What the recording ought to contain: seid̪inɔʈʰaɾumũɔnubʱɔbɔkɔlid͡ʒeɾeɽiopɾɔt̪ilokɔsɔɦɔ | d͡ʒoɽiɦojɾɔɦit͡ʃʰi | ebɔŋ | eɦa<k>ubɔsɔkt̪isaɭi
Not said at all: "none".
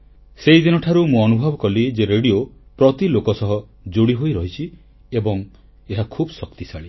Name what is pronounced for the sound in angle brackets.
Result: kʰ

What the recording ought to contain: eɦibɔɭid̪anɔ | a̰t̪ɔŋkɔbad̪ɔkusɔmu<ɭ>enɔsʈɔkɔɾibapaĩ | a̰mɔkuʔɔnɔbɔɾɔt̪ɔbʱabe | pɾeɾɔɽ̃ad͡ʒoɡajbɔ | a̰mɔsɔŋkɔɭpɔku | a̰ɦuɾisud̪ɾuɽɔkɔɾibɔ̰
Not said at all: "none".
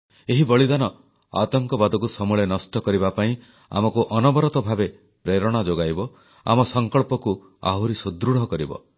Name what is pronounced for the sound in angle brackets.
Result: ɭ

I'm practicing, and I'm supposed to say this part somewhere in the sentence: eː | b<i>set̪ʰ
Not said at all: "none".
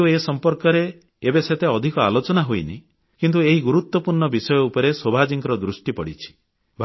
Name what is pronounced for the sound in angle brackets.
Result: e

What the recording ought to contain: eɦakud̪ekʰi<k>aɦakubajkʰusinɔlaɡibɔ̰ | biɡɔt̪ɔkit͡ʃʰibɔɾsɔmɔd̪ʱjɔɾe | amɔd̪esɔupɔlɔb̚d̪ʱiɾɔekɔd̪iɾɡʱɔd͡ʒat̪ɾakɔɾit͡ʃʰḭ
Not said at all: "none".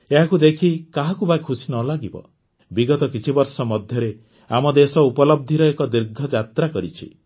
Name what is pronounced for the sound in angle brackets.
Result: k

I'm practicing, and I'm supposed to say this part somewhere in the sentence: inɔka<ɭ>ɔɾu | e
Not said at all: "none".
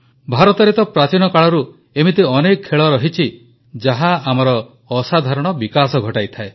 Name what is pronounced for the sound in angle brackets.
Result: ɭ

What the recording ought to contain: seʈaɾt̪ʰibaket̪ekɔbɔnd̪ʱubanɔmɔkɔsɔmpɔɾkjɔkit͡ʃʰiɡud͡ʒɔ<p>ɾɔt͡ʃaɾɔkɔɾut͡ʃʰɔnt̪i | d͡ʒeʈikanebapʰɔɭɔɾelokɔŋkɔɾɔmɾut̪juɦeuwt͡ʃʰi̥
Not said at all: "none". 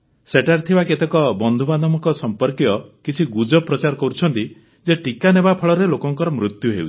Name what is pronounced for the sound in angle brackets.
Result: p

